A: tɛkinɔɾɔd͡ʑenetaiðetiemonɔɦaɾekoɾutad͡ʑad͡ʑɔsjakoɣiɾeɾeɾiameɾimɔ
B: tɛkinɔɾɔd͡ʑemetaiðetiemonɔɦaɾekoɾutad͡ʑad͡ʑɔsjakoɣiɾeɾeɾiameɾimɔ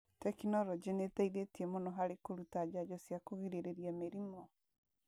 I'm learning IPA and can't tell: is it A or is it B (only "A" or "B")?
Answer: A